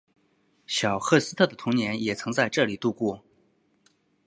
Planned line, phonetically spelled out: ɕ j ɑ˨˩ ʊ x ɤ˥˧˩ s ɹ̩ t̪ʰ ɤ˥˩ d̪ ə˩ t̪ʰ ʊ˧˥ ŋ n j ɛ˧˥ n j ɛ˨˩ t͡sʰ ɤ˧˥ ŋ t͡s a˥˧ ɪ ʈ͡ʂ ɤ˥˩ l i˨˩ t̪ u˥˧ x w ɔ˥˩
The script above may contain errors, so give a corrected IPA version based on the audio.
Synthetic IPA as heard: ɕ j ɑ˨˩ ʊ x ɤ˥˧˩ s ɹ̩ t̪ʰ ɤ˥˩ d̪ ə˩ t̪ʰ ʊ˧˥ ŋ n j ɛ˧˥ n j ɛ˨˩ t͡sʰ ɤ˧˥ ŋ t͡s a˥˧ ɪ ʈ͡ʂ ɤ˥˩ l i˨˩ t̪ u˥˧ k w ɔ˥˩